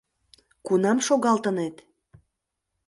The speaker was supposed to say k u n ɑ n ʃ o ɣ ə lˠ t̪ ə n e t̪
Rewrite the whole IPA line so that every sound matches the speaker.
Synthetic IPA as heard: k u n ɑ m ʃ o ɣ ɑ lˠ t̪ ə n e t̪